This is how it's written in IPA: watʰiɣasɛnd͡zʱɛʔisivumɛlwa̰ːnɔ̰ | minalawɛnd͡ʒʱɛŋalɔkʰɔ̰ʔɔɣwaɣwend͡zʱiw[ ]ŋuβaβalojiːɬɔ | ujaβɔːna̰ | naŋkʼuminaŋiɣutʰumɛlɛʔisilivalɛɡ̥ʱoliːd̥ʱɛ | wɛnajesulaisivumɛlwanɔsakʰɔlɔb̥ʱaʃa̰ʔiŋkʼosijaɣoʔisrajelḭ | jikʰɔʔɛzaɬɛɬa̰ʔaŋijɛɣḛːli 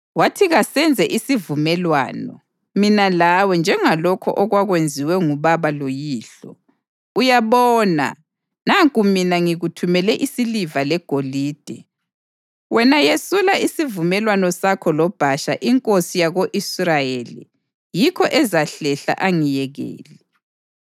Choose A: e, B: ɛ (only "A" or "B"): B